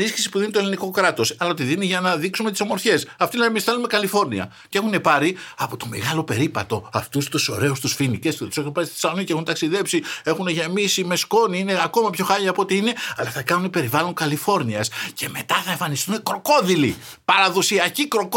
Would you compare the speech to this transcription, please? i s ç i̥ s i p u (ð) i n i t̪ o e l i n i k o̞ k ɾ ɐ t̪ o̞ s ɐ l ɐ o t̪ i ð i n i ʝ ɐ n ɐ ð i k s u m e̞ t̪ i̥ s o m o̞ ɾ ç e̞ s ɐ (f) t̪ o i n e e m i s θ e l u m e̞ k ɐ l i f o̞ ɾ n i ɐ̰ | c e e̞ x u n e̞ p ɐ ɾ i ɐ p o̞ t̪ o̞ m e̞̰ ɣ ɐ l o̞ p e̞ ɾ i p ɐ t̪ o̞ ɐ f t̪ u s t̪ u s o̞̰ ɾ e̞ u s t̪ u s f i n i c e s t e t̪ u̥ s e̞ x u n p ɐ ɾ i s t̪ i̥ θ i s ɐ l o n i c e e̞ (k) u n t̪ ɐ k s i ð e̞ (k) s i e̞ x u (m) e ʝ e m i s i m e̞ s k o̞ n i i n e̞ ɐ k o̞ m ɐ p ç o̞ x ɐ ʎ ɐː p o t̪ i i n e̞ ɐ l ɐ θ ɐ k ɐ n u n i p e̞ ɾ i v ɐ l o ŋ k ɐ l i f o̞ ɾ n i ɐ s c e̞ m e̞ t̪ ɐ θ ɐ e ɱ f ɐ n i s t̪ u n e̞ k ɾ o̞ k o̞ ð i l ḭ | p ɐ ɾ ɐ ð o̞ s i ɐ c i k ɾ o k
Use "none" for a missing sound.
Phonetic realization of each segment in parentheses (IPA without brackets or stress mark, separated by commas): ð, f, x, p, n